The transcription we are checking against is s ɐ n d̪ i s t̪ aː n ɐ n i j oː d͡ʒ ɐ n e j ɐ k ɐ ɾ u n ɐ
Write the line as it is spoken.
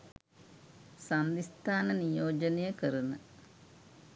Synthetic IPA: s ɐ n d̪ i s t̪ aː n ɐ n i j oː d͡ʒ ɐ n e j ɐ k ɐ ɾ u n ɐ